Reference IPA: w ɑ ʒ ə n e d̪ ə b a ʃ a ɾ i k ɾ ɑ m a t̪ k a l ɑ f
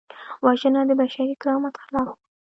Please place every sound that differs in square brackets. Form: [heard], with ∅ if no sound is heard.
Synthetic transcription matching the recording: w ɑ ʒ ə n [a] d̪ ə b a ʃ a ɾ i k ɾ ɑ m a t̪ [x] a l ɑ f